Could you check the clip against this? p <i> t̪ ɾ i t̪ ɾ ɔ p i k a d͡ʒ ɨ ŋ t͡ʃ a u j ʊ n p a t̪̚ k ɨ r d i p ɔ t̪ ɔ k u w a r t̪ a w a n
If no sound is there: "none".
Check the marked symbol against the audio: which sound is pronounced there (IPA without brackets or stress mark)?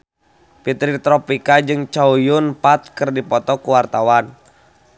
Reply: i